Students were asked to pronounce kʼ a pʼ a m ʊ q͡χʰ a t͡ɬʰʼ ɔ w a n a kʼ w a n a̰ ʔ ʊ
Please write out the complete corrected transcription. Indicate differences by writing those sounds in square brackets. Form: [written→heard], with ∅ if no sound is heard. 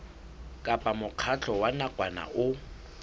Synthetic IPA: kʼ a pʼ a m ʊ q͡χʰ a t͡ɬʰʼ ɔ w a n a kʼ w a n a̰ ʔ ʊ